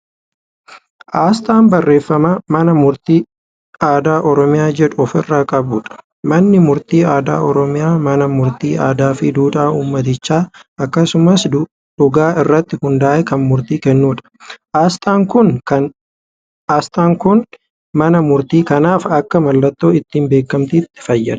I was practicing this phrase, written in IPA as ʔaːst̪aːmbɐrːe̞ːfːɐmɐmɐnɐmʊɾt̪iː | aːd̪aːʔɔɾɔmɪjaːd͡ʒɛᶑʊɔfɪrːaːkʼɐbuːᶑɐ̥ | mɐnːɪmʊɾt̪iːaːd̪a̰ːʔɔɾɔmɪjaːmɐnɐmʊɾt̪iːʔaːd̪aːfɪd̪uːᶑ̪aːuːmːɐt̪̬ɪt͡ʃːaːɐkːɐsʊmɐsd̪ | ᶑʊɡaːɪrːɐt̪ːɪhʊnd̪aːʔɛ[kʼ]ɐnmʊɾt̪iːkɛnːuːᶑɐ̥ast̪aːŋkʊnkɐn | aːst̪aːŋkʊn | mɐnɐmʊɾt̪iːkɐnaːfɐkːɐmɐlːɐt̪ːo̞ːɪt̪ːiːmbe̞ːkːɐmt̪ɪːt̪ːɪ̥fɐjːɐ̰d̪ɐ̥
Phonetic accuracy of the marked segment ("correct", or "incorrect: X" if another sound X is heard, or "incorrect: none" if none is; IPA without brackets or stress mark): incorrect: k